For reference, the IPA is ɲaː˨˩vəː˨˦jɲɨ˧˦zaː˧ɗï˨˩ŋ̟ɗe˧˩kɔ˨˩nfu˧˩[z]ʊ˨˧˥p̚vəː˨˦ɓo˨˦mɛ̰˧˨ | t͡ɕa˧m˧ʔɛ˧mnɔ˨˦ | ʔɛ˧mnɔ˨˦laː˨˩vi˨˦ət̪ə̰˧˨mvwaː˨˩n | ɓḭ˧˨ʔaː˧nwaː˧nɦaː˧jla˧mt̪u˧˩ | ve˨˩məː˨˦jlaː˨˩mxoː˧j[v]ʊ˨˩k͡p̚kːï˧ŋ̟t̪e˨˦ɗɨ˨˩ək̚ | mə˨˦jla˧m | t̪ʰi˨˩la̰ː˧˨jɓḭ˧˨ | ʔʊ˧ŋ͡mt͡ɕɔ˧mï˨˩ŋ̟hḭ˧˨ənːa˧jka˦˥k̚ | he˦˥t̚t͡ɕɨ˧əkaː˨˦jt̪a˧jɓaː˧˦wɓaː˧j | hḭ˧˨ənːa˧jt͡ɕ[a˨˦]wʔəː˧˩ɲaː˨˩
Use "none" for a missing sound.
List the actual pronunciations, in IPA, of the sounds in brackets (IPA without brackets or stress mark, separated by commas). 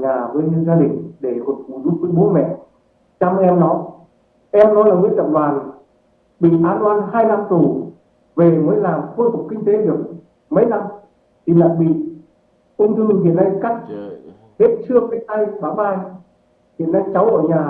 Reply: z, f, a˨˦